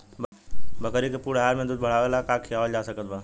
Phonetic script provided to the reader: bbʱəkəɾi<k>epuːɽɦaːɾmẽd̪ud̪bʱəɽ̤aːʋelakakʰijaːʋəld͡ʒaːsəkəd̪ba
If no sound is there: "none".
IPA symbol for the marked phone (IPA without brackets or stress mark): k